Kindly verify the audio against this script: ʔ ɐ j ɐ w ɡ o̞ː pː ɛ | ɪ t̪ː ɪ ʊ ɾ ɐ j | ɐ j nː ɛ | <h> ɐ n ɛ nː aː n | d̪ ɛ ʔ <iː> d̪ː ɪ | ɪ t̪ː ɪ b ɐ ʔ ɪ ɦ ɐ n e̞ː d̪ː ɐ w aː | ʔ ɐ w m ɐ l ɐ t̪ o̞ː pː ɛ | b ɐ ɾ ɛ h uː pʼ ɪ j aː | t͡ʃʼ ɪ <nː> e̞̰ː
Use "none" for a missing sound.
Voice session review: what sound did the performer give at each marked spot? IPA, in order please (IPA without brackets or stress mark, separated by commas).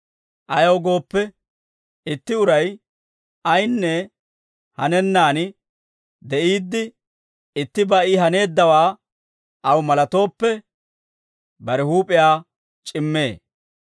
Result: h, iː, mː